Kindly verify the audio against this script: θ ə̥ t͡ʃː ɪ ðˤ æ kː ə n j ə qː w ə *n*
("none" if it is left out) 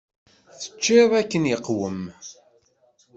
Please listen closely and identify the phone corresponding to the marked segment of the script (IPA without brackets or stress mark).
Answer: m